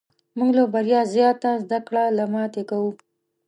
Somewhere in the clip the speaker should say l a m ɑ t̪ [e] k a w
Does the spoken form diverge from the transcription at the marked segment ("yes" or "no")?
no